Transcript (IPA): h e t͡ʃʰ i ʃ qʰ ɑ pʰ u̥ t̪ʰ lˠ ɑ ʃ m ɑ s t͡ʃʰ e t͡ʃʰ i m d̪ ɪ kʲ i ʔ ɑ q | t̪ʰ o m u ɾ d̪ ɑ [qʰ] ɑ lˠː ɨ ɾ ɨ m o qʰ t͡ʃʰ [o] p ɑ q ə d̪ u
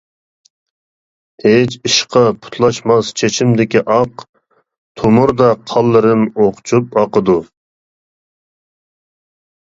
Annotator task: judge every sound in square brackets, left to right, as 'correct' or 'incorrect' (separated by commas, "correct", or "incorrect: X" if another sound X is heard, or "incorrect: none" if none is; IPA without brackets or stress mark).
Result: correct, incorrect: u